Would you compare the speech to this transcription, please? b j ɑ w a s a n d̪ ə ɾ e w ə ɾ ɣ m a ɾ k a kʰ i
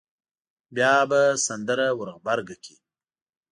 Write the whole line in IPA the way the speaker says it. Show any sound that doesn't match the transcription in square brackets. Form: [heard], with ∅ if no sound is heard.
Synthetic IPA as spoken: b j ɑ [b] a s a n d̪ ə ɾ [a] w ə ɾ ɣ [b] a ɾ [ɡ] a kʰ i